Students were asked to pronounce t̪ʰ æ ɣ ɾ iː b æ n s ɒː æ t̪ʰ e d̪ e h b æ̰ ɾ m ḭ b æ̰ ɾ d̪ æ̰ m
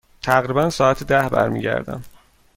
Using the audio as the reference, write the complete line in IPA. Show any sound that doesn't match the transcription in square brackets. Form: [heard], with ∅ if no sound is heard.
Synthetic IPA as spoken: t̪ʰ æ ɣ ɾ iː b æ n s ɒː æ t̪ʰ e d̪ [æ] h b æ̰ ɾ m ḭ [ɟ] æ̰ ɾ d̪ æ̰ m